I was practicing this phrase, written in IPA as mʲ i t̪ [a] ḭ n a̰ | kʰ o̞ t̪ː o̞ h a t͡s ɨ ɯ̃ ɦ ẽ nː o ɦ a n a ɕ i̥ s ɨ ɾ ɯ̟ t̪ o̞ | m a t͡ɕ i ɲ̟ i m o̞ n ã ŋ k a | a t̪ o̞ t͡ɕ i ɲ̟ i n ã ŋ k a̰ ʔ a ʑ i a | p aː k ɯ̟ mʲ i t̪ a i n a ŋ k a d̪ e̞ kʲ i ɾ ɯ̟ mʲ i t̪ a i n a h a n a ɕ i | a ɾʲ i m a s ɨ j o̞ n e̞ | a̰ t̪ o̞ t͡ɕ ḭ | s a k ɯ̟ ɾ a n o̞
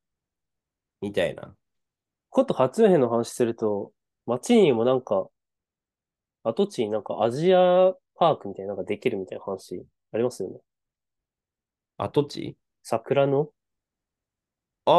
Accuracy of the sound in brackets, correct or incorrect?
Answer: correct